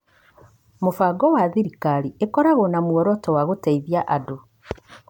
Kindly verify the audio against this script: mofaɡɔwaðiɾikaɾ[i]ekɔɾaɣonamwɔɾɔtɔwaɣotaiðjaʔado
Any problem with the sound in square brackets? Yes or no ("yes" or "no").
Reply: no